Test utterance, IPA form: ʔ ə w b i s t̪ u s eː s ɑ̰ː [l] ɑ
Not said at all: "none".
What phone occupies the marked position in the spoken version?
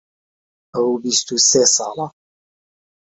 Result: l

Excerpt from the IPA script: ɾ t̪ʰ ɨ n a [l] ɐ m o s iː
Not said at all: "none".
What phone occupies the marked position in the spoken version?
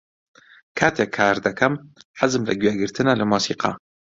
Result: l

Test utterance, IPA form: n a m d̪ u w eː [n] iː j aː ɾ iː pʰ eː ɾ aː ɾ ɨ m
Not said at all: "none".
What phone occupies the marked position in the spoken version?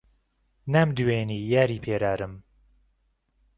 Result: n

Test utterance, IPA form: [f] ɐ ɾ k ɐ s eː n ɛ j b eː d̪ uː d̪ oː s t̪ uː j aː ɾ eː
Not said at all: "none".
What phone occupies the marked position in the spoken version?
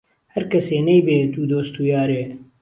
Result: h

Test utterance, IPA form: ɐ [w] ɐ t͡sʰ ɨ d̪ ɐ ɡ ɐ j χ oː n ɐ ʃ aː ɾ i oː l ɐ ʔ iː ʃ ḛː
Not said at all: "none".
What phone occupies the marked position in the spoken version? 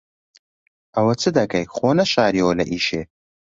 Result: w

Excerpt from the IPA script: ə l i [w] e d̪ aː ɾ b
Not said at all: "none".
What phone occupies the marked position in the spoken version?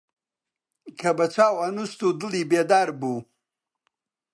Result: b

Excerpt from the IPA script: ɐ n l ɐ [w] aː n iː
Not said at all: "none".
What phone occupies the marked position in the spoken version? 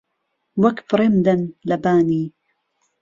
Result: b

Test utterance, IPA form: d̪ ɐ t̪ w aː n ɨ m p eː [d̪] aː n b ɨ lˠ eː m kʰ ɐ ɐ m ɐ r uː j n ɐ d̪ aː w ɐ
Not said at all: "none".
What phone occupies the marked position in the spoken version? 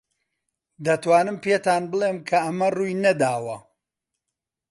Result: t̪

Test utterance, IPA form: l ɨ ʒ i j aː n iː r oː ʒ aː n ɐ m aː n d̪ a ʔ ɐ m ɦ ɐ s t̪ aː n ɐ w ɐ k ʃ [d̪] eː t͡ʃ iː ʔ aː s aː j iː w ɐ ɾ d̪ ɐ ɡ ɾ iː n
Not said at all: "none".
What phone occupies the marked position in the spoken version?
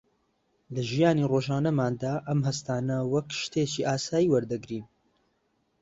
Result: t̪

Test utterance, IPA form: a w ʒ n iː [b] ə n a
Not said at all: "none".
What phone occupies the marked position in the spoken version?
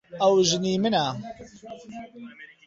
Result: m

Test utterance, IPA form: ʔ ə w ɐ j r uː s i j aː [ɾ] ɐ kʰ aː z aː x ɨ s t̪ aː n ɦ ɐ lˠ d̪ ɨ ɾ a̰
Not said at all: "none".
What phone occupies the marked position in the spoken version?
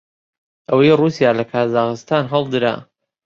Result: l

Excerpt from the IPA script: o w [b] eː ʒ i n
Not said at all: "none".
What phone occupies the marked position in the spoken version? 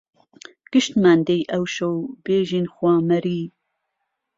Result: b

